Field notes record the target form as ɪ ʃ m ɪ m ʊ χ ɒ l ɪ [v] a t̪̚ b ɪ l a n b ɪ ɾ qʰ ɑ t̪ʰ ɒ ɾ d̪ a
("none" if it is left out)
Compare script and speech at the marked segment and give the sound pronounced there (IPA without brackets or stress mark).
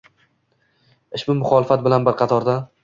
f